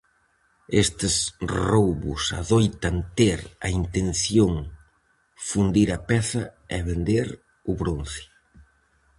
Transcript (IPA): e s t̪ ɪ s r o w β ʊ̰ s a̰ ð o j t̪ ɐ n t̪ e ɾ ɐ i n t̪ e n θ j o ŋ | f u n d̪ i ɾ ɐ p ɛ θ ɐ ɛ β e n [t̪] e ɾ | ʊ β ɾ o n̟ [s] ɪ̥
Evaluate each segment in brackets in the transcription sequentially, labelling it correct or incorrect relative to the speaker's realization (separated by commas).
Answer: incorrect, incorrect